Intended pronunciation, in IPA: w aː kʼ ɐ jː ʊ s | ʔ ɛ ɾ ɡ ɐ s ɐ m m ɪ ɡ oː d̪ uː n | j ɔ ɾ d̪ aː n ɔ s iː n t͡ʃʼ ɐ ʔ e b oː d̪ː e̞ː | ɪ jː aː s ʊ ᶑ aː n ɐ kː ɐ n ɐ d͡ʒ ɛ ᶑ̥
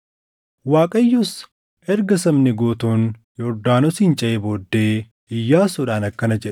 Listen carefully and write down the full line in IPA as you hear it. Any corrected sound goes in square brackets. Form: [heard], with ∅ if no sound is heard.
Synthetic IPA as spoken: w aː kʼ ɐ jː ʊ s | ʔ ɛ ɾ ɡ ɐ s ɐ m [n] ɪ ɡ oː [t̪] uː n | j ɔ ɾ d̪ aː n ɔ s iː n t͡ʃʼ ɐ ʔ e b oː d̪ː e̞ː | ɪ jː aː s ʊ ᶑ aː n ɐ kː ɐ n ɐ d͡ʒ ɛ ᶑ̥

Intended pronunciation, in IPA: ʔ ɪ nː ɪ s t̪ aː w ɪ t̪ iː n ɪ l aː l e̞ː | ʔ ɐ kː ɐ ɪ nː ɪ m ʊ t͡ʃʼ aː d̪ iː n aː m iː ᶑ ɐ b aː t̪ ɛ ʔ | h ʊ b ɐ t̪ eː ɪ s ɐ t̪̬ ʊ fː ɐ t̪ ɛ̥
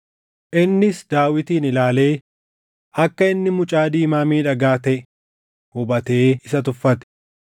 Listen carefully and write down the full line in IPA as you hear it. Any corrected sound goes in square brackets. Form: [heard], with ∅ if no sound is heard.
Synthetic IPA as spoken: ʔ ɪ nː ɪ s [d̪] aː w ɪ t̪ iː n ɪ l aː l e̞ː | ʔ ɐ kː ɐ ɪ nː ɪ m ʊ t͡ʃʼ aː d̪ iː [m] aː m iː ᶑ ɐ [ɡ] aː t̪ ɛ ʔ | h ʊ b ɐ t̪ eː ɪ s ɐ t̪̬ ʊ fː ɐ t̪ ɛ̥

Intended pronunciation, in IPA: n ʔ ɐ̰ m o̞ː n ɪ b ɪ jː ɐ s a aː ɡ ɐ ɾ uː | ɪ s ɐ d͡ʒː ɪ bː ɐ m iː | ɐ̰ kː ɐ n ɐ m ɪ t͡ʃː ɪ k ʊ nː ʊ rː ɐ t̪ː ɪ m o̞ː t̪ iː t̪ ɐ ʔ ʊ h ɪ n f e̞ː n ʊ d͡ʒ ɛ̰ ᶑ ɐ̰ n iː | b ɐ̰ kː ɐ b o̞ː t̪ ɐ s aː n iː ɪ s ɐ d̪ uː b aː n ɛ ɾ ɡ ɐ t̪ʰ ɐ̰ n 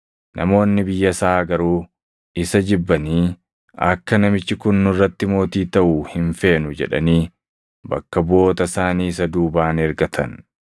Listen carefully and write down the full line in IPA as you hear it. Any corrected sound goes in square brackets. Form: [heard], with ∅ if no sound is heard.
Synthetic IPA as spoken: n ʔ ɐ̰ m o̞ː [nː] ɪ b ɪ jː ɐ s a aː ɡ ɐ ɾ uː | ɪ s ɐ [d͡ʒ] ɪ bː ɐ [n] iː | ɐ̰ kː ɐ n ɐ m ɪ t͡ʃː ɪ k ʊ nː ʊ rː ɐ t̪ː ɪ m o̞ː t̪ iː t̪ ɐ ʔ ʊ h ɪ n f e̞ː n ʊ d͡ʒ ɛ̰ ᶑ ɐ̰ n iː | b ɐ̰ kː ɐ b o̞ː t̪ ɐ s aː n iː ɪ s ɐ d̪ uː b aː n ɛ ɾ ɡ ɐ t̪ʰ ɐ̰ n

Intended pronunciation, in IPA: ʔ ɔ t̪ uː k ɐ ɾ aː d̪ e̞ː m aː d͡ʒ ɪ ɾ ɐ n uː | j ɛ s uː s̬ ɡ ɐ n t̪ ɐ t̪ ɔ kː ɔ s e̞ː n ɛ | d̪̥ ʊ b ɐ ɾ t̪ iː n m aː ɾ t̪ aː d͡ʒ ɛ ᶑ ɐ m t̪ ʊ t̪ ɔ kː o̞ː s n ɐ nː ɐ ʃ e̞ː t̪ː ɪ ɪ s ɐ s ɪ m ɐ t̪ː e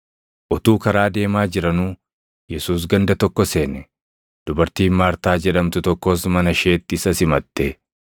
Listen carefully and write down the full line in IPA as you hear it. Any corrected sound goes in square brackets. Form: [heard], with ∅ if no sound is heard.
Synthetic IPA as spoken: ʔ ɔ t̪ uː k ɐ ɾ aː d̪ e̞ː m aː d͡ʒ ɪ ɾ ɐ n uː | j ɛ s uː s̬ ɡ ɐ n [d̪] ɐ t̪ ɔ kː ɔ s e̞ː n ɛ | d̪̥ ʊ b ɐ ɾ t̪ iː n m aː ɾ t̪ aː d͡ʒ ɛ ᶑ ɐ m t̪ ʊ t̪ ɔ kː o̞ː s [m] ɐ [n] ɐ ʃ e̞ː t̪ː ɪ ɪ s ɐ s ɪ m ɐ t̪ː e

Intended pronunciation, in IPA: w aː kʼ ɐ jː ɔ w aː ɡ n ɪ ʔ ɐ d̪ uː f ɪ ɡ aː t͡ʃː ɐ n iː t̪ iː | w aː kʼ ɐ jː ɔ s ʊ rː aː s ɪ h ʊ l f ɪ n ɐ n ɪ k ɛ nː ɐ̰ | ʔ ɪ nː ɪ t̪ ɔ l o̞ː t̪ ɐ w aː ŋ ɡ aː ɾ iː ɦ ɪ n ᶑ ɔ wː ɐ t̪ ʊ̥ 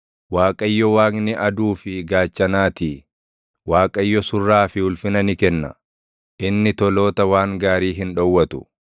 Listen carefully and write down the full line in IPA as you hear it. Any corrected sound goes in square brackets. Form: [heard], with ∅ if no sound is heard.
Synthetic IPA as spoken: w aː kʼ ɐ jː ɔ w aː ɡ n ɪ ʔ ɐ d̪ uː f ɪ ɡ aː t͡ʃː ɐ n [aː] t̪ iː | w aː kʼ ɐ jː ɔ s ʊ rː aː [f] ɪ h ʊ l f ɪ n ɐ n ɪ k ɛ nː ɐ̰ | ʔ ɪ nː ɪ t̪ ɔ l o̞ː t̪ ɐ w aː ŋ ɡ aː ɾ iː ɦ ɪ n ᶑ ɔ wː ɐ t̪ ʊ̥

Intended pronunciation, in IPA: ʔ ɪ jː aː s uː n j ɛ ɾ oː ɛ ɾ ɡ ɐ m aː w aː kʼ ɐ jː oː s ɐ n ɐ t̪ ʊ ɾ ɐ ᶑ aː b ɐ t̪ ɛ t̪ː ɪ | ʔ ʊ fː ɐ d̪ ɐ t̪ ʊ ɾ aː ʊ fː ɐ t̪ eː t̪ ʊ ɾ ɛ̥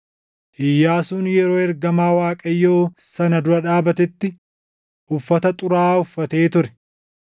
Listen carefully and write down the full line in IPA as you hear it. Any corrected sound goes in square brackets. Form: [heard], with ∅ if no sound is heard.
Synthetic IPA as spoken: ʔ ɪ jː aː s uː n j ɛ ɾ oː ɛ ɾ ɡ ɐ m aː w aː kʼ ɐ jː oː s ɐ n ɐ [d̪] ʊ ɾ ɐ ᶑ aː b ɐ t̪ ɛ t̪ː ɪ | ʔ ʊ fː ɐ [t̪] ɐ [t̪ʼ] ʊ ɾ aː ʊ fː ɐ t̪ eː t̪ ʊ ɾ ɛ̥

